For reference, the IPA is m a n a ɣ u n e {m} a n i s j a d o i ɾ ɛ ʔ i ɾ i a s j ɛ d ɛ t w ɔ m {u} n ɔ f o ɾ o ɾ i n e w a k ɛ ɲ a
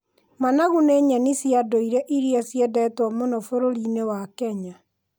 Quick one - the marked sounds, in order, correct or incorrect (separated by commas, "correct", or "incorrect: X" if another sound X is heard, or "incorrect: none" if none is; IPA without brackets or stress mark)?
incorrect: ɲ, incorrect: o